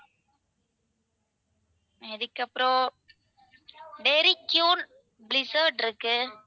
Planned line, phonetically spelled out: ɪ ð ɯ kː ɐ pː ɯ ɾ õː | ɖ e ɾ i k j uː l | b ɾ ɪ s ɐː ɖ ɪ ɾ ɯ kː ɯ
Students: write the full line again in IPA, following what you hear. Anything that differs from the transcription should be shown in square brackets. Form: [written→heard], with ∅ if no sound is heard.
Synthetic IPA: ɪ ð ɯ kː ɐ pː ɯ ɾ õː | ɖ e ɾ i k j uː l | b [ɾ→l] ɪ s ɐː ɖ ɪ ɾ ɯ kː ɯ